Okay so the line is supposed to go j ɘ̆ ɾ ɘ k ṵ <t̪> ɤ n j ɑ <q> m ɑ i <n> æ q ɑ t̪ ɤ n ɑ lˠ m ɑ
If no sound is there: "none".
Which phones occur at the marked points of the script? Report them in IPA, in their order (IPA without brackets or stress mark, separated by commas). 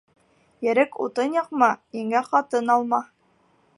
t̪, q, ŋ